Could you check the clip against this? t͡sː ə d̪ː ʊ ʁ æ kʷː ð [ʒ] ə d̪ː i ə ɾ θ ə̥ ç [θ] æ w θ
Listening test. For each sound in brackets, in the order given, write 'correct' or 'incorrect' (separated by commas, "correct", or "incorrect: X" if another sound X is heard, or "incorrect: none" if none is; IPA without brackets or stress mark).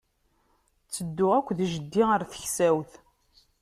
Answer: correct, incorrect: s